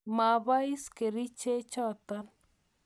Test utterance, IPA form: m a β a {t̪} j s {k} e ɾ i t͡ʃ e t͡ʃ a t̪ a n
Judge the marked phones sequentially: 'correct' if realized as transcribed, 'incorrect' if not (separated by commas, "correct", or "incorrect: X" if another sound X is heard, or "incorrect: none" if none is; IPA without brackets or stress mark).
incorrect: none, correct